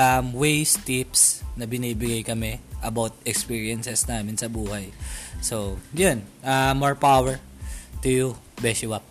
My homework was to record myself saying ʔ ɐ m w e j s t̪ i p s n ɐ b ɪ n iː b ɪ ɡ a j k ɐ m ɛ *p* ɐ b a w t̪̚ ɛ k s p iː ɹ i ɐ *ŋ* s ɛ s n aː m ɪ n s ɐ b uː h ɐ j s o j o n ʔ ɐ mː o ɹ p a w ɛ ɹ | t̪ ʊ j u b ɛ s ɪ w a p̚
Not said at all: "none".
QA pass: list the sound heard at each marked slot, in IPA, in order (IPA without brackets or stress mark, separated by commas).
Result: ʔ, n